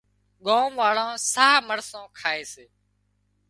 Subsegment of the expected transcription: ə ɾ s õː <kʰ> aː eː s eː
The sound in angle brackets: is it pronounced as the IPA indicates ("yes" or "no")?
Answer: yes